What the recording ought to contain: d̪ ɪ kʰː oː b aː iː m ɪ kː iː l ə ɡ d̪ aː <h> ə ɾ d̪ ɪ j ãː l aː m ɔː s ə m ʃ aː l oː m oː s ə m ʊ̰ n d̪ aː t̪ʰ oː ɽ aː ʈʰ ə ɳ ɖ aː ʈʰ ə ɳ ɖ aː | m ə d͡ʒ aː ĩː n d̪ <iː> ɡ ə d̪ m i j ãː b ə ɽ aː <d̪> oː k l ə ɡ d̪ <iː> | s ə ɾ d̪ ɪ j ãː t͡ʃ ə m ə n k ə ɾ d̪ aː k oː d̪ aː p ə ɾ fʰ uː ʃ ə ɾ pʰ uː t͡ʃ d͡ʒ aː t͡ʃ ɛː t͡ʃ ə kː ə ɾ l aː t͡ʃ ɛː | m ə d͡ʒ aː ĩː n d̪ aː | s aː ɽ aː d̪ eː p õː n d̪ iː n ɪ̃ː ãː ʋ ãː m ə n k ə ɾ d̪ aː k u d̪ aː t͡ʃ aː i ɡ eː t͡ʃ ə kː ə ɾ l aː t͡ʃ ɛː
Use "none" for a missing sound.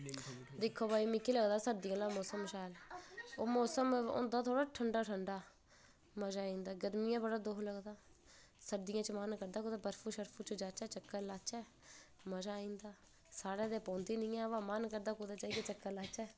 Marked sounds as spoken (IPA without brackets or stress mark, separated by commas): s, aː, d̪, aː